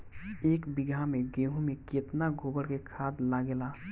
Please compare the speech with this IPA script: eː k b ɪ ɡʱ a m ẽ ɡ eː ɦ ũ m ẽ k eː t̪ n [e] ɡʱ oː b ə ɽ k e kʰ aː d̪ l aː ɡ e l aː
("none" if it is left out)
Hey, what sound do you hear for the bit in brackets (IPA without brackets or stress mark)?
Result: a